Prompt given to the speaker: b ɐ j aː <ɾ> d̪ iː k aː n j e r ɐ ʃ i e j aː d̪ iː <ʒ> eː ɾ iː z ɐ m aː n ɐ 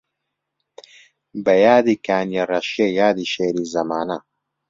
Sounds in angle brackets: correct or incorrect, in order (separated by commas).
incorrect, incorrect